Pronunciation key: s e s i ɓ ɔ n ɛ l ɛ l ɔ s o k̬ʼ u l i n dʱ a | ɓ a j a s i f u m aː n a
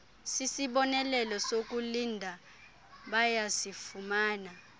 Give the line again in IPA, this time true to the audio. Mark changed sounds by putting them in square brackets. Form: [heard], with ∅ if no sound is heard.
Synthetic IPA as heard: s [i] s i ɓ ɔ n ɛ l ɛ l ɔ s o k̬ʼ u l i n dʱ a | ɓ a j a s i f u m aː n a